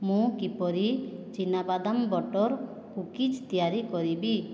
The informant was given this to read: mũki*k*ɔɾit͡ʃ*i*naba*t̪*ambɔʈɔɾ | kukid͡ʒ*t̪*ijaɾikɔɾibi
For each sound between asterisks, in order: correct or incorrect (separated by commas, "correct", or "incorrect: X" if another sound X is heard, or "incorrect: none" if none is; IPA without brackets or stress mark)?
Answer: incorrect: p, correct, incorrect: d̪, correct